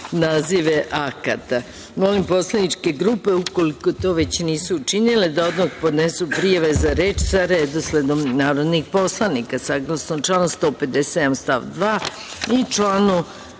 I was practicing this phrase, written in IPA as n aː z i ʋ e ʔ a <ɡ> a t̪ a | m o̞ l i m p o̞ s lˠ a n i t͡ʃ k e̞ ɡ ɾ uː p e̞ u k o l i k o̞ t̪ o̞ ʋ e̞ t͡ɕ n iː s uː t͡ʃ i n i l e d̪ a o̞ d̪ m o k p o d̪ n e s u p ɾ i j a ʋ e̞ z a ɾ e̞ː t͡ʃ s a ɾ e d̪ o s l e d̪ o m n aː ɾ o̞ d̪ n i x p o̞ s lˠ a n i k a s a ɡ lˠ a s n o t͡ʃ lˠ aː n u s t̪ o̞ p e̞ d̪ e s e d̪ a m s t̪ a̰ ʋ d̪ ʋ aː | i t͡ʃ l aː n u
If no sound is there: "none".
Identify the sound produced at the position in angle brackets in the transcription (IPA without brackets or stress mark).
k